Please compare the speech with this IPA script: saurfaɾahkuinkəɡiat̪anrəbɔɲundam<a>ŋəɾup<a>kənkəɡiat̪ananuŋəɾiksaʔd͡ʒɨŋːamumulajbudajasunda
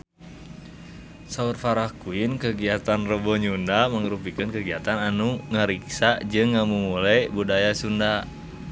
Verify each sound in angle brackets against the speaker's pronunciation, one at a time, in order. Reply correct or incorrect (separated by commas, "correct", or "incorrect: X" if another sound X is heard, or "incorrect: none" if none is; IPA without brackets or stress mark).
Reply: incorrect: ə, incorrect: i